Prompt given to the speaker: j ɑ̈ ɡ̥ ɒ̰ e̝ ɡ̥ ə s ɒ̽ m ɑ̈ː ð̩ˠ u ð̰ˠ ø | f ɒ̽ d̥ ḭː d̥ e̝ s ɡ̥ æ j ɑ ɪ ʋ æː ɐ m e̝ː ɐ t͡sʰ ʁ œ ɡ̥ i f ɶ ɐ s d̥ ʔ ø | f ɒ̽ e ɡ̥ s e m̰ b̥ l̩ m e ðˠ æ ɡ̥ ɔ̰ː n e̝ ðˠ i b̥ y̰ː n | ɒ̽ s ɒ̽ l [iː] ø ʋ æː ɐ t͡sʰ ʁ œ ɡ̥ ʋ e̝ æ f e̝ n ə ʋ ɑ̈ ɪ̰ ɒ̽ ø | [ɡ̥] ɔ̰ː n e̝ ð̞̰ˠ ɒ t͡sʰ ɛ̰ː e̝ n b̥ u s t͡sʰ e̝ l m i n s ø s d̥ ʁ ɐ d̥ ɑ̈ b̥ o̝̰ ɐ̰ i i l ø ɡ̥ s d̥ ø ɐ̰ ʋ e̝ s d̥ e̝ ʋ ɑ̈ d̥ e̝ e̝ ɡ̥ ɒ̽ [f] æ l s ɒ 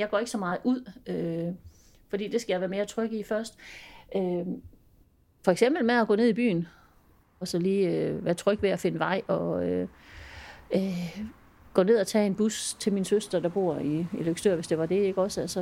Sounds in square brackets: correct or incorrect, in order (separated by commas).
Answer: correct, correct, incorrect